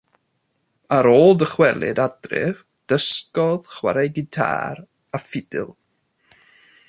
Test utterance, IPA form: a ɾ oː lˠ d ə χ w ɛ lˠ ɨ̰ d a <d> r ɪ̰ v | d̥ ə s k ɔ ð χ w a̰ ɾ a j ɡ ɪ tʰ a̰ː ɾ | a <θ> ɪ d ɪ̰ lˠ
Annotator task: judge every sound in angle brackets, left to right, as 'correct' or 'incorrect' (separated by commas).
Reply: correct, incorrect